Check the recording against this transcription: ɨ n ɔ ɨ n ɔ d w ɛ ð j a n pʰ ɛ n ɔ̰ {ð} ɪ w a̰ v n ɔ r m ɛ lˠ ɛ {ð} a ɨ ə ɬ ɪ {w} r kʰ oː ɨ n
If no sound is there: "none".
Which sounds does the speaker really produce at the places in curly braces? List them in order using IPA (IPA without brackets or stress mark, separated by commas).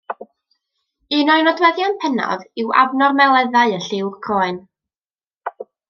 ð, ð, w